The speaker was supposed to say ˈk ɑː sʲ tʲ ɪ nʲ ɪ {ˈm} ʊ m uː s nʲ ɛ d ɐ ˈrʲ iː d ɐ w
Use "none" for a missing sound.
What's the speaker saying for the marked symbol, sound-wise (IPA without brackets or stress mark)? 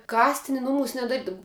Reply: n